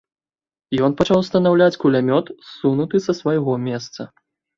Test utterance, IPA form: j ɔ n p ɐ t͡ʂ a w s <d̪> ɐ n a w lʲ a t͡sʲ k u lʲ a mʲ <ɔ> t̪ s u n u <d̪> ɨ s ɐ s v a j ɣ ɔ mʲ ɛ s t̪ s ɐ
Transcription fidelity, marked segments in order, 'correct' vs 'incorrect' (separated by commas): incorrect, correct, incorrect